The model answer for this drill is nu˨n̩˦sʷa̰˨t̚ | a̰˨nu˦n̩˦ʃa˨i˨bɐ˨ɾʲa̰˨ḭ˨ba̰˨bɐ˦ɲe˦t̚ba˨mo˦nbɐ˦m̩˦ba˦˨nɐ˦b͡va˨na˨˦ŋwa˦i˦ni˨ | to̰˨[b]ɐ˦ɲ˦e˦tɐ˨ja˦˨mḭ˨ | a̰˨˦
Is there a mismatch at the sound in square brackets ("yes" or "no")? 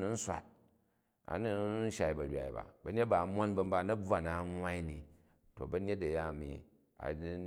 no